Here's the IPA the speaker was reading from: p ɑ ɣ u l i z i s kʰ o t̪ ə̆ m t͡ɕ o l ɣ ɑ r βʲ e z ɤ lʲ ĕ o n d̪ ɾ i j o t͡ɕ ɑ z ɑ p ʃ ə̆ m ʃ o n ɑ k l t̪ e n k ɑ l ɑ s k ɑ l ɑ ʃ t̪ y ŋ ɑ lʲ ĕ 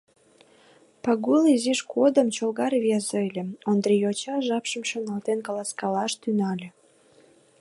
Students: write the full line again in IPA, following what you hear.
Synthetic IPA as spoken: p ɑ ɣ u l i z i ʃ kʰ o d̪ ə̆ m t͡ɕ o l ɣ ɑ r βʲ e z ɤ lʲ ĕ o n d̪ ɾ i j o t͡ɕ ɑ ʒ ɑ p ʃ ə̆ m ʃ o n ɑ l t̪ e n k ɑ l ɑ s k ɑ l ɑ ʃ t̪ y n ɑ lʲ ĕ